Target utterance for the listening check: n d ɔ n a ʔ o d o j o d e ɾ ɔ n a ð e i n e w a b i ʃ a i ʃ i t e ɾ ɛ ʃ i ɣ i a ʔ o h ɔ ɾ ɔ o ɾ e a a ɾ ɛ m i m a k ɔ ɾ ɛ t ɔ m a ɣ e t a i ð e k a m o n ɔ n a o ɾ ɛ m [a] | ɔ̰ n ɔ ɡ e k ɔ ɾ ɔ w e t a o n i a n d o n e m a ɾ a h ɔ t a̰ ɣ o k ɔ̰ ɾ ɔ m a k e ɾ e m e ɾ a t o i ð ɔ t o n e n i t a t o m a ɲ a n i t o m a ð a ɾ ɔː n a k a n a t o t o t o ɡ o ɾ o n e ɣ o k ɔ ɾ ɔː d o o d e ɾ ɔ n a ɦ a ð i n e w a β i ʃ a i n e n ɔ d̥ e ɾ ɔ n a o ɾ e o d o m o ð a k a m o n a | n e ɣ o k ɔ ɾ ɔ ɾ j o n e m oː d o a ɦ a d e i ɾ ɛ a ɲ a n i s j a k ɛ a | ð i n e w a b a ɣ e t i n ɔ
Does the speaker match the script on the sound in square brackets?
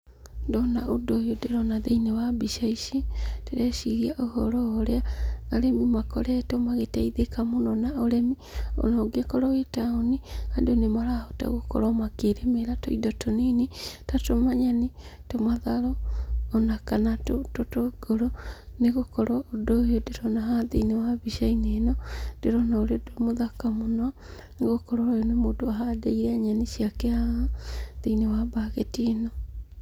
no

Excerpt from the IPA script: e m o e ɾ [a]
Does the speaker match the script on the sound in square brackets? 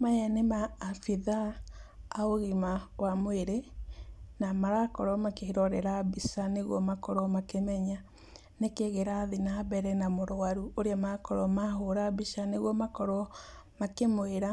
yes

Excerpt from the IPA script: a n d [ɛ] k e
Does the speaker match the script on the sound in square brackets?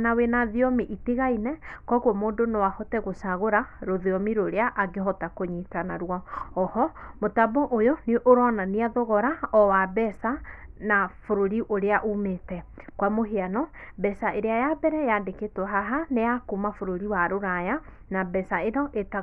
no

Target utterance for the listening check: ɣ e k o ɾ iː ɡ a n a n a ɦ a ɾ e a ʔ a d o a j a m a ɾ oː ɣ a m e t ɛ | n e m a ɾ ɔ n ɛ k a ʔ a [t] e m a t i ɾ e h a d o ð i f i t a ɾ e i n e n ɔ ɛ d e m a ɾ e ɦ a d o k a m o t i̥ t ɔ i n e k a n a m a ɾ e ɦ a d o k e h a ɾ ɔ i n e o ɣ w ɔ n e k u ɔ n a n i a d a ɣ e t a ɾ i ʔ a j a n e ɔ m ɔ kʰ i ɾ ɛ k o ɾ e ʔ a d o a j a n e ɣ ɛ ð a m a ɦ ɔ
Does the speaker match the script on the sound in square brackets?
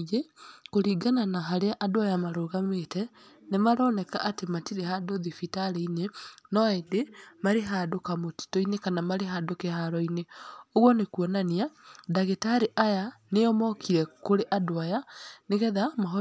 yes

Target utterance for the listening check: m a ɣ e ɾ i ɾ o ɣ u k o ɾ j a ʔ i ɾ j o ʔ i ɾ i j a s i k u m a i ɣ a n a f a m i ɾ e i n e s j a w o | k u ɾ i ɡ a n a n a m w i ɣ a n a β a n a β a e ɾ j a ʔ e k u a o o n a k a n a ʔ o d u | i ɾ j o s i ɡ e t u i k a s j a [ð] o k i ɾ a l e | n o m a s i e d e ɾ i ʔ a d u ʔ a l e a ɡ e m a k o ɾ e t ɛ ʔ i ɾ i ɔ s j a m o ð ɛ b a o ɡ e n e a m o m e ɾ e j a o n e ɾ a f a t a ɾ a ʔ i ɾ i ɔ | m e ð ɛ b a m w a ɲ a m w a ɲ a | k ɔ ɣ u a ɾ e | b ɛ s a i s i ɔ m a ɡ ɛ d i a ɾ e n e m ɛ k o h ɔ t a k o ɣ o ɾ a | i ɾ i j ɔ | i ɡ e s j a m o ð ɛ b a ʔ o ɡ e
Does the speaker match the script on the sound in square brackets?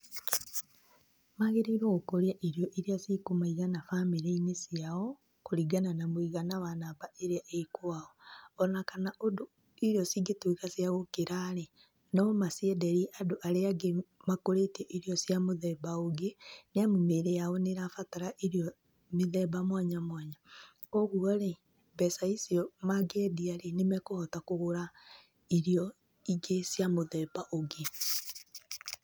no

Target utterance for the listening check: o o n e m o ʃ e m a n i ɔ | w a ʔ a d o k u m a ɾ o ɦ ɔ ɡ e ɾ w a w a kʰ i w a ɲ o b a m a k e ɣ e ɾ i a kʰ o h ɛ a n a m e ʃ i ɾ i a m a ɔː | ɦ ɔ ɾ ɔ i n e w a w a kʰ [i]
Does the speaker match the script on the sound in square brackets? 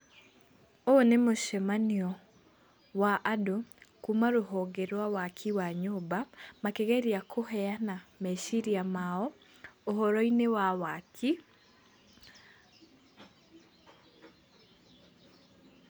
yes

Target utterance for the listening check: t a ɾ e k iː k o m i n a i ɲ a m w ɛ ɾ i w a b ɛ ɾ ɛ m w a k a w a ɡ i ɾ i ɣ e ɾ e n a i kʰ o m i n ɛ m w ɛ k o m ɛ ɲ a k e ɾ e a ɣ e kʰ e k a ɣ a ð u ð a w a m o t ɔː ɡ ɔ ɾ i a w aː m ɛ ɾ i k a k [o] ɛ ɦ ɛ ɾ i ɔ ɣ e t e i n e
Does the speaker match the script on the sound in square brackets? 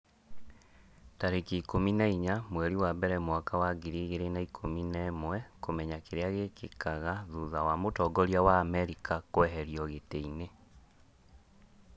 yes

